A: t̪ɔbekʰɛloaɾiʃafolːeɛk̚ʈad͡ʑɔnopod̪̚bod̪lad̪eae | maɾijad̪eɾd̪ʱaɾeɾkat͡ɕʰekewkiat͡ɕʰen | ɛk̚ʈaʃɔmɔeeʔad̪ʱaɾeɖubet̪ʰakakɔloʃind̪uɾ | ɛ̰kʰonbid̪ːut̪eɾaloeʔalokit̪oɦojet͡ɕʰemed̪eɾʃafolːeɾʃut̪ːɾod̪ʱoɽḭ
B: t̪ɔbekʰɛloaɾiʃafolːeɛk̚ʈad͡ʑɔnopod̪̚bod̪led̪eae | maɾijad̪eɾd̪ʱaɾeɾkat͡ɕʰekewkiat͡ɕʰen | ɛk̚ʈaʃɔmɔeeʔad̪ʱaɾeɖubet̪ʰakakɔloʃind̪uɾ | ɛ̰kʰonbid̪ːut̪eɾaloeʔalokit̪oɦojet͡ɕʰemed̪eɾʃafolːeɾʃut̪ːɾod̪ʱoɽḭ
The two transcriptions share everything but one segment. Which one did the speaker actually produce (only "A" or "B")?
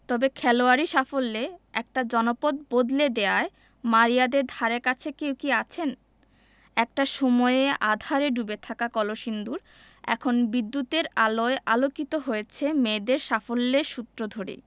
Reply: B